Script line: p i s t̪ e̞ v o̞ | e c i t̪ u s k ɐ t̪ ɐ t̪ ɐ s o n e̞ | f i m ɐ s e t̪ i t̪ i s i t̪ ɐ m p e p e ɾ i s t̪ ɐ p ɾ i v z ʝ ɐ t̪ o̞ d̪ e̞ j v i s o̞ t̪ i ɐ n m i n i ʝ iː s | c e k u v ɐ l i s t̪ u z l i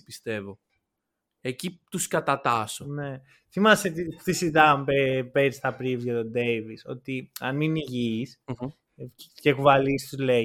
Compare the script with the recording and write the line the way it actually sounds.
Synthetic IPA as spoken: p i s t̪ e̞ v o̞ | e c i t̪ u s k ɐ t̪ ɐ t̪ ɐ s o n e̞ | θ i m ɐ s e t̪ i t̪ i s i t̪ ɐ m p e p e ɾ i s t̪ ɐ p ɾ i v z ʝ ɐ t̪ o̞ d̪ e̞ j v i s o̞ t̪ i ɐ n m i n i ʝ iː s | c e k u v ɐ l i s t̪ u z l e